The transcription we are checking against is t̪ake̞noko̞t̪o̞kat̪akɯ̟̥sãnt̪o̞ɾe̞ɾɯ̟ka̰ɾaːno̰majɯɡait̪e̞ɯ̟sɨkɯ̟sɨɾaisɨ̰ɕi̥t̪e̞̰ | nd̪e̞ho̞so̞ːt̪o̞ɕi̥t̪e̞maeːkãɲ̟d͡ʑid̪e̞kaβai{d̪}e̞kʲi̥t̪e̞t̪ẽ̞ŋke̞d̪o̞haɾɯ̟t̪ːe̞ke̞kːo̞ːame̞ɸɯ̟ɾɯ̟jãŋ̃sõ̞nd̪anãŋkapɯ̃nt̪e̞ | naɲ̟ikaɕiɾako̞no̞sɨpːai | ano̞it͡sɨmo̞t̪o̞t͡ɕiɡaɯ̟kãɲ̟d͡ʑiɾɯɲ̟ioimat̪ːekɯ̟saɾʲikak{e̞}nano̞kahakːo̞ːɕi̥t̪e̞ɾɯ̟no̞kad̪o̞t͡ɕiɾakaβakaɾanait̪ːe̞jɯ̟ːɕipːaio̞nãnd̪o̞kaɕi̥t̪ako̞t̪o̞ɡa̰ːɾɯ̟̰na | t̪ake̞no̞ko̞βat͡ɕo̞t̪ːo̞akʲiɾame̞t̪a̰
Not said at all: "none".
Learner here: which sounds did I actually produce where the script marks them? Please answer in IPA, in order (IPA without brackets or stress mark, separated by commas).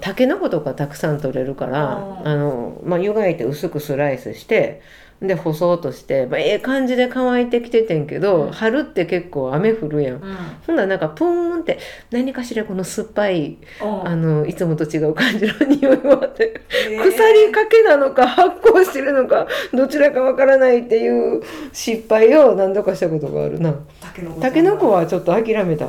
t̪, e̞